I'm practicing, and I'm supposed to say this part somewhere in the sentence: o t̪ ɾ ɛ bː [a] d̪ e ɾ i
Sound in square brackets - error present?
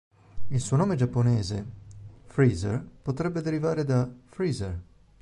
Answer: yes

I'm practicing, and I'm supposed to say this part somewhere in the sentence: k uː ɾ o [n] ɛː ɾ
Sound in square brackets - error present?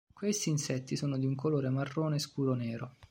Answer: no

